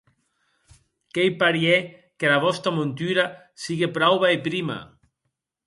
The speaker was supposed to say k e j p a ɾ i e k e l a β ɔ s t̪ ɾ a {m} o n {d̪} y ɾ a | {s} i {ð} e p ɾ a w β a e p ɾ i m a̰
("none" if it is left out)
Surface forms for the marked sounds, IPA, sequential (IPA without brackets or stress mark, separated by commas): m, t̪, s, ɣ